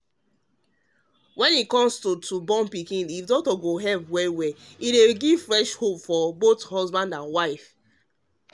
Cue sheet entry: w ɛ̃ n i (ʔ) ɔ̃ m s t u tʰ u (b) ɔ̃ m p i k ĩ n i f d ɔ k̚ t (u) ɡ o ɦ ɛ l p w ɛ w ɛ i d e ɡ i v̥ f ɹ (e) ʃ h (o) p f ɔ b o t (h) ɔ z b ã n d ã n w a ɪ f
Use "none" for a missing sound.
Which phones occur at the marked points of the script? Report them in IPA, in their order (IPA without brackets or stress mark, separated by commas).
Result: k, b, ɔ, ɛ, o, h